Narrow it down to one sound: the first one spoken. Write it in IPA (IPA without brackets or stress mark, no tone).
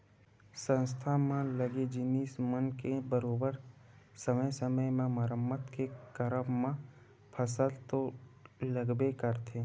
s